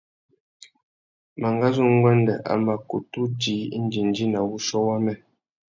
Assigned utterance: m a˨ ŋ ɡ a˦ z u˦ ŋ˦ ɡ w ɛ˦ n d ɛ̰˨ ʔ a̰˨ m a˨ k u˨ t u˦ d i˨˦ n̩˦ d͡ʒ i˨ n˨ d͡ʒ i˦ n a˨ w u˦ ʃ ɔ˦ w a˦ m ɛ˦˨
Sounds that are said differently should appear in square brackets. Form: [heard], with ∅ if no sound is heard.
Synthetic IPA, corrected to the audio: m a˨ ŋ ɡ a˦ z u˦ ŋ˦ ɡ w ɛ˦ n d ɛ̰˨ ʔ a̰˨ m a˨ k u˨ t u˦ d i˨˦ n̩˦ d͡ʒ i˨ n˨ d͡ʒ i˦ n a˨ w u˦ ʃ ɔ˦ w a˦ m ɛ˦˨

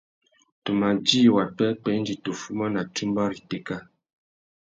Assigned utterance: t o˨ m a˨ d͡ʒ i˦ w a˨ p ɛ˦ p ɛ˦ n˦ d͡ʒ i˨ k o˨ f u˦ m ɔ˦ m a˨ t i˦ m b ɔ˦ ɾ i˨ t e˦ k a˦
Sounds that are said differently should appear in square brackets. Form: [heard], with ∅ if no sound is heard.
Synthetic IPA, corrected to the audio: t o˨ m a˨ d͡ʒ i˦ w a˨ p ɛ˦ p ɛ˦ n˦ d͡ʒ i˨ [t] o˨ f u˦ m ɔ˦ [n] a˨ t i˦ m b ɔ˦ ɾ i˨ t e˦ k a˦

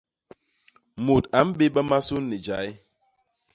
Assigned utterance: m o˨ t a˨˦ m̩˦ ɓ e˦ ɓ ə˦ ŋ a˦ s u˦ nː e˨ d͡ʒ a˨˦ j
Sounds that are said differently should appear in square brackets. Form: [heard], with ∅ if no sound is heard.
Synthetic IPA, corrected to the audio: m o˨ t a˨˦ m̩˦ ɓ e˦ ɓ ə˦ [m] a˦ s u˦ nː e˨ d͡ʒ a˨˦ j

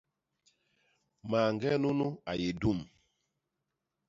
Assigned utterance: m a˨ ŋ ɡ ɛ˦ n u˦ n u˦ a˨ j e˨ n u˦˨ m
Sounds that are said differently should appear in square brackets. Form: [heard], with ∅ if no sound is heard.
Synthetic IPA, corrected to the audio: m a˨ ŋ ɡ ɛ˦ n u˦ n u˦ a˨ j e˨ [d] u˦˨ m

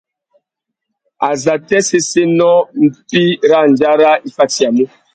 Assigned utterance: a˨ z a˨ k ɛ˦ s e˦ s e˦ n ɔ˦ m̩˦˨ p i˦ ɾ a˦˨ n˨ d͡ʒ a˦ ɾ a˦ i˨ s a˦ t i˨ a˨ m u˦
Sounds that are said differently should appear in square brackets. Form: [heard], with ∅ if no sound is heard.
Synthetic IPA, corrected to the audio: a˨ z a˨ [t] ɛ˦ s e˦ s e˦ n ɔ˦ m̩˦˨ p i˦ ɾ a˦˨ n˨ d͡ʒ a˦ ɾ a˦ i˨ [f] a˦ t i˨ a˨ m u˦

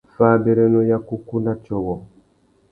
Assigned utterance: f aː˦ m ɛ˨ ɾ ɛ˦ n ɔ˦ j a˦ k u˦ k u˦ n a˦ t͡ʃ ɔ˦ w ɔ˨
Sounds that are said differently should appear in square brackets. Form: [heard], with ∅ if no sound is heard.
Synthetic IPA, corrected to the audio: f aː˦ [b] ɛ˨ ɾ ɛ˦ n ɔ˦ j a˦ k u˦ k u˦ n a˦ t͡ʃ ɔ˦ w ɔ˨

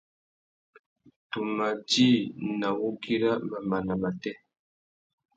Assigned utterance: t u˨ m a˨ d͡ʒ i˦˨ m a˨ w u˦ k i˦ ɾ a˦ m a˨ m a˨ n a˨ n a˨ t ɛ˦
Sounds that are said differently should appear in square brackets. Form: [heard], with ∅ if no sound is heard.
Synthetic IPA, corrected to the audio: t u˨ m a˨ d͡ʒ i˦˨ [n] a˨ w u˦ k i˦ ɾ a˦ m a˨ m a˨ n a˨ [m] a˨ t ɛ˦

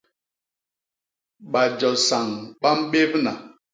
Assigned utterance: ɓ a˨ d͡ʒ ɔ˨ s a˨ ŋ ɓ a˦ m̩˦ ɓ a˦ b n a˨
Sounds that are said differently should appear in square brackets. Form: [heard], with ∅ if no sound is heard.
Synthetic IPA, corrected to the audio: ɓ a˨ d͡ʒ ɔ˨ s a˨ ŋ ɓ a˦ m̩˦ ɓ [e˦] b n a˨

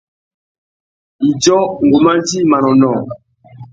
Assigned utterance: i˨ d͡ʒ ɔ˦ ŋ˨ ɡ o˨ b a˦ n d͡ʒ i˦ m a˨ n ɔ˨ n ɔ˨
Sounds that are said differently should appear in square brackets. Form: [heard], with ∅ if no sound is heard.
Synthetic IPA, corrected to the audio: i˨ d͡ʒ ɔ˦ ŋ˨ ɡ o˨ [m] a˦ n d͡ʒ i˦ m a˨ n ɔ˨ n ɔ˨

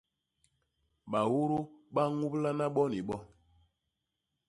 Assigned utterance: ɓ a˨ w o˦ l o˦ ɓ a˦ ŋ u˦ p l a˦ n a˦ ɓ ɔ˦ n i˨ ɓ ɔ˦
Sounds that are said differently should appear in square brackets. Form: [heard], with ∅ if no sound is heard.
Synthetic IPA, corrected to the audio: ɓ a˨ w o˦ [ɾ] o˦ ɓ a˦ ŋ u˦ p l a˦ n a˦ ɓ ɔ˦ n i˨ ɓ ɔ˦

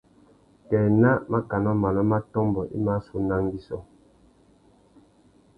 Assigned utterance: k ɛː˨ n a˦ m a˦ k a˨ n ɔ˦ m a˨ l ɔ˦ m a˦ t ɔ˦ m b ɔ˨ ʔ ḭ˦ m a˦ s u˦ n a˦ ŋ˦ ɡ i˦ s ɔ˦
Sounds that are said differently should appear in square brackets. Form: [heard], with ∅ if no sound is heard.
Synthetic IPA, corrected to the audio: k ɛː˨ n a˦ m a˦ k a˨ n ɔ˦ m a˨ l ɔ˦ m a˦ t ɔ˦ m b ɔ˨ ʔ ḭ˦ m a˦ s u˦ n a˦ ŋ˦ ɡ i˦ s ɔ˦

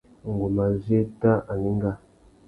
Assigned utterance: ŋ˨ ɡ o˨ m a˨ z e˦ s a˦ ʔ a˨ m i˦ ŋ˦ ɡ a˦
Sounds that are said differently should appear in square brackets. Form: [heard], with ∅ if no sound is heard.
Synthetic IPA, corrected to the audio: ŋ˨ ɡ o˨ m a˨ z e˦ [t] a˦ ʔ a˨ [n] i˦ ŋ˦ ɡ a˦

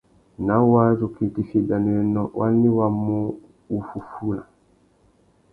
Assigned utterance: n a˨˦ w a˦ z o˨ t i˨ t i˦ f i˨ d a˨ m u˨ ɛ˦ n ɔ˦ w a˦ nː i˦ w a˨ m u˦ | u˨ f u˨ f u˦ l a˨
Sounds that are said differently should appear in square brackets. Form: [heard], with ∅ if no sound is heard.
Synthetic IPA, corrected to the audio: n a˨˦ w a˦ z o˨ [k] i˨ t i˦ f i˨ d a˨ [n] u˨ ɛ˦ n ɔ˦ w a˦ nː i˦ w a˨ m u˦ | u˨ f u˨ f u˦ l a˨

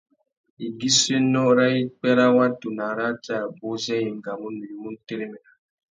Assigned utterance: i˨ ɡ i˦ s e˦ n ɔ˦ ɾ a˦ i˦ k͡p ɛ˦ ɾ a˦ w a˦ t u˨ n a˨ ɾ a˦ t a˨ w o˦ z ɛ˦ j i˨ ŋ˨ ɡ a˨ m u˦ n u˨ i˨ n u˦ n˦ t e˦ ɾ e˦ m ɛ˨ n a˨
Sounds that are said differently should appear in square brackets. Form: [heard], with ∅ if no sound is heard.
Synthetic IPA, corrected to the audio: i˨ ɡ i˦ s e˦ n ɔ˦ ɾ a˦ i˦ k͡p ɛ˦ ɾ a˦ w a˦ t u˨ n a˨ ɾ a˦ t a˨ [b] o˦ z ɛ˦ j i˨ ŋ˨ ɡ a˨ m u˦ n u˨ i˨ [m] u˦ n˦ t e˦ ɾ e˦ m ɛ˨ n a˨

